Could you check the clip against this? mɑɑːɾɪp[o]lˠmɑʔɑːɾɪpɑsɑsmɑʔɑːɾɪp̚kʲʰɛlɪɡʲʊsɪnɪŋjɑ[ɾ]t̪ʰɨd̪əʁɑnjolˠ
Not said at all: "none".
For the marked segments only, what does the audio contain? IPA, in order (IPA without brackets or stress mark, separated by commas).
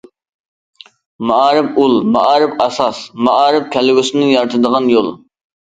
u, ɾ